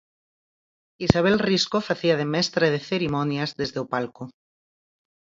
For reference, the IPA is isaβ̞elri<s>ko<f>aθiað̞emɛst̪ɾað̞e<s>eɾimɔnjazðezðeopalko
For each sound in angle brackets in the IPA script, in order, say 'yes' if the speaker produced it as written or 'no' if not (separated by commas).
yes, yes, no